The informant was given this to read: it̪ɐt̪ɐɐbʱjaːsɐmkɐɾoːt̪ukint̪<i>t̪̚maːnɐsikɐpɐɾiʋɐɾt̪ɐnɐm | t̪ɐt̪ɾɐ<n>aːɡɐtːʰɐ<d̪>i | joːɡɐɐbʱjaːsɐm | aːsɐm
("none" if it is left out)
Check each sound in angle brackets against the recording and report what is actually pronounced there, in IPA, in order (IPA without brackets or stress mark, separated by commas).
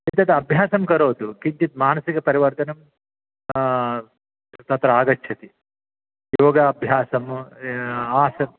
i, none, t̪